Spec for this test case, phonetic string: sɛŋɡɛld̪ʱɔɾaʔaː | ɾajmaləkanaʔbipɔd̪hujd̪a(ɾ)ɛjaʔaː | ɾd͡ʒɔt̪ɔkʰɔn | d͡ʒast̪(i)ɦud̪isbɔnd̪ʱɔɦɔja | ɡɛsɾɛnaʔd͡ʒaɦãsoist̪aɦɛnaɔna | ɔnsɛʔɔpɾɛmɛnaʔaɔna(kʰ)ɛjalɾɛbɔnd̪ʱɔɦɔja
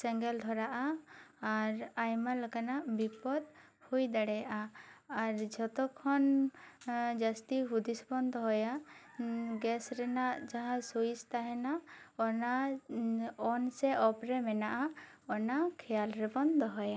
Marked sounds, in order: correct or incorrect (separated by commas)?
incorrect, correct, correct